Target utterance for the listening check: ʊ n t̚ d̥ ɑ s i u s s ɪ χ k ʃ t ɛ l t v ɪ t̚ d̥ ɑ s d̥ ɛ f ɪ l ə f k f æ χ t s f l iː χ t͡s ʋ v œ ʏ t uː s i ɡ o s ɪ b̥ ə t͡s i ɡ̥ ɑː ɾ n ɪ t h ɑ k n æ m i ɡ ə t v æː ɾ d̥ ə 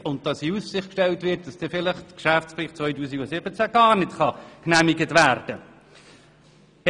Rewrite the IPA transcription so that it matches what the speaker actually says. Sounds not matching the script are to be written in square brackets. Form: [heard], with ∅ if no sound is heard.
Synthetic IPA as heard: ʊ n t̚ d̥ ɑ s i u s s ɪ χ k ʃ t ɛ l t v ɪ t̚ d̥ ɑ s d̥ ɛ f ɪ l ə [χ] k [ʃ] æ [f] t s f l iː χ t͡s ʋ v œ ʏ t uː s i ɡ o s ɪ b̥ ə t͡s [æ] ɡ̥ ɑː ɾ n ɪ t [χ] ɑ k n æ m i ɡ ə t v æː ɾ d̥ ə

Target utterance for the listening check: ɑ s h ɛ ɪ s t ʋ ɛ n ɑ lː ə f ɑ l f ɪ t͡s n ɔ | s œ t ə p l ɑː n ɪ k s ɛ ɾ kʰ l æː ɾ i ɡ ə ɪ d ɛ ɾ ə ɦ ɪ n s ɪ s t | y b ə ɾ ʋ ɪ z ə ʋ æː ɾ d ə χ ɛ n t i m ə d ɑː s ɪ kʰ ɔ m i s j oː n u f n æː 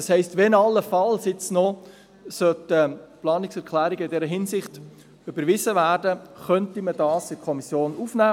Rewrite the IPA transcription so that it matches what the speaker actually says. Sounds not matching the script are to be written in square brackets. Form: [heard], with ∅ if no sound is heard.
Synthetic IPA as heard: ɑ s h ɛ ɪ s t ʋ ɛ n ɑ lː ə f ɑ l [s] ɪ t͡s n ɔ | s œ t ə p l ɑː n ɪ k s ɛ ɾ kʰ l æː ɾ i ɡ ə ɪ d ɛ ɾ ə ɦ ɪ n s ɪ [χ] t | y b ə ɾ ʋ ɪ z ə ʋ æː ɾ d ə χ [œ] n t i m ə d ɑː s ɪ kʰ ɔ m i s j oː n u f n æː

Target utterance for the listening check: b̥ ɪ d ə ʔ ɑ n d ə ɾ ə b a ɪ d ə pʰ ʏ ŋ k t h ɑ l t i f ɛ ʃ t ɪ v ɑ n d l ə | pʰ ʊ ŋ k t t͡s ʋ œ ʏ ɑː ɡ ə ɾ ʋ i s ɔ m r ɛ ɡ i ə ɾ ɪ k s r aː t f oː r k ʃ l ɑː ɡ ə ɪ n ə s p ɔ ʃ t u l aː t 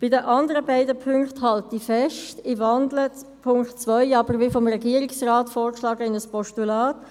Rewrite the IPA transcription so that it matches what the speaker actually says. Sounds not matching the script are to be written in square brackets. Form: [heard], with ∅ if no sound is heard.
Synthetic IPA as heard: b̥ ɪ d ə ʔ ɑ n d ə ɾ ə b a ɪ d ə pʰ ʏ ŋ k t h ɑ l t i f ɛ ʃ t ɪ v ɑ n d l ə | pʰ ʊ ŋ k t t͡s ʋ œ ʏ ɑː [b] ə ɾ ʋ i [f] ɔ m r ɛ ɡ i ə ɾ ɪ k s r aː t f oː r k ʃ l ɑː ɡ ə ɪ n ə s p ɔ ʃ t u l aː t

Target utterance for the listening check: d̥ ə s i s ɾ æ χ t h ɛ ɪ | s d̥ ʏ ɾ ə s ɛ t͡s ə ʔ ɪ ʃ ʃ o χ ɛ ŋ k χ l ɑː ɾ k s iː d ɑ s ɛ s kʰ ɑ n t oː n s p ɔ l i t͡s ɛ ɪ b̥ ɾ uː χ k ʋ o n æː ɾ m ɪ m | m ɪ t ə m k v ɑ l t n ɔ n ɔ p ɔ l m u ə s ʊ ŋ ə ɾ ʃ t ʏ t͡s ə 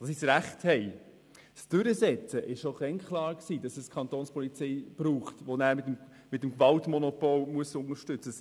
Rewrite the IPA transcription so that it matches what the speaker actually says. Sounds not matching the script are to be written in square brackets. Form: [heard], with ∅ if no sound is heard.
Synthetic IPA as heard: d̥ [ɑ] s i s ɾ æ χ t h ɛ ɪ | s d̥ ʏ ɾ ə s ɛ t͡s ə ʔ ɪ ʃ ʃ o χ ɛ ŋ k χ l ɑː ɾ k s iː d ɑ s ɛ s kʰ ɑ n t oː n s p ɔ l i t͡s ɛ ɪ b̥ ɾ uː χ [t] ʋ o n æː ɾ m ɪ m | m ɪ t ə m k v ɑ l t [m] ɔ n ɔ p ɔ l m u ə s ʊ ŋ ə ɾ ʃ t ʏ t͡s ə

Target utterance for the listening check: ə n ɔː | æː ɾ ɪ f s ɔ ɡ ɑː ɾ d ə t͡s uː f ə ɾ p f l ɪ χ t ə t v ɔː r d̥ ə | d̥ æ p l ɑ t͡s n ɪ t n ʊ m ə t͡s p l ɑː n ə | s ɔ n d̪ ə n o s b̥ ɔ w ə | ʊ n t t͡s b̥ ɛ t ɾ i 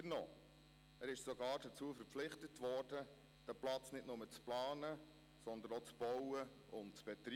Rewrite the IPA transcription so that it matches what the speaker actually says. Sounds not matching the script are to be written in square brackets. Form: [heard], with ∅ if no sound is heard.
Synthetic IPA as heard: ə n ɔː | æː ɾ ɪ [ʃ] s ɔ ɡ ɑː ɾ d ə t͡s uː f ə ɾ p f l ɪ χ t ə t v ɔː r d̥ ə | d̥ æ p l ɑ t͡s n ɪ t n ʊ m ə t͡s p l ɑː n ə | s ɔ n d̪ ə n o [t͡s] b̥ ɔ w ə | ʊ n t t͡s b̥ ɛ t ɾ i

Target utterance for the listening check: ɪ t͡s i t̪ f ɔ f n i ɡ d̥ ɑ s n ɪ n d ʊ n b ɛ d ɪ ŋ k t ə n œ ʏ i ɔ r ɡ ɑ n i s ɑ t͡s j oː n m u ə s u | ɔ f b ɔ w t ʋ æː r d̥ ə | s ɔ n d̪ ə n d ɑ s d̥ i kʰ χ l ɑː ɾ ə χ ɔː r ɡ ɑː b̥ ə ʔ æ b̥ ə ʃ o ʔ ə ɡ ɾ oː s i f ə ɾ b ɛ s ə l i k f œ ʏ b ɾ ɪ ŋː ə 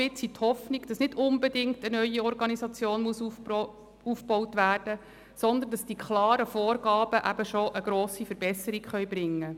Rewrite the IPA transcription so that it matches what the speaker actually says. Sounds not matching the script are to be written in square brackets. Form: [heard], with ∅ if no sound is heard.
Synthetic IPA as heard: ɪ t͡s i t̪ [h] ɔ f n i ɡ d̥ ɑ s n ɪ [∅] d ʊ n b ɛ d ɪ ŋ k t ə n œ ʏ i ɔ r ɡ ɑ n i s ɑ t͡s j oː n m u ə s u | [u] f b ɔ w t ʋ æː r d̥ ə | s ɔ n d̪ ə n d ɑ s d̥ i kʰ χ l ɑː ɾ ə [f] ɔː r ɡ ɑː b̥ ə ʔ æ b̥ ə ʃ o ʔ ə ɡ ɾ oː s i f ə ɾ b ɛ s ə [ɾ] i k [χ] œ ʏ b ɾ ɪ ŋː ə

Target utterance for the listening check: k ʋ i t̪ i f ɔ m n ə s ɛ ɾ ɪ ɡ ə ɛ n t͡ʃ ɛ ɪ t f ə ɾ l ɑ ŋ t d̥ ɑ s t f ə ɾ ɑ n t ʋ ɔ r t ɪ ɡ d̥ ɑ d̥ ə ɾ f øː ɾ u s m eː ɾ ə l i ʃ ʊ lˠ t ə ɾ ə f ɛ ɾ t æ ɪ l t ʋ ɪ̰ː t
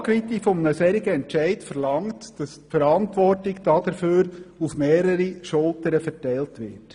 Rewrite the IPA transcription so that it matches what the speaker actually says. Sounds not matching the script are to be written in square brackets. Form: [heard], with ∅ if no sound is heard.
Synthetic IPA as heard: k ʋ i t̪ i f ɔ m n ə s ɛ ɾ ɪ ɡ ə ɛ n t͡ʃ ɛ ɪ t f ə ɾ l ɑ ŋ t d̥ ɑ s t f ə ɾ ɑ n t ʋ ɔ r t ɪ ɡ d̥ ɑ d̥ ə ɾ f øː ɾ u [f] m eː ɾ ə [ɾ] i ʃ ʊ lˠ t ə ɾ ə f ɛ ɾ t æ ɪ l t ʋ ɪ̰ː t

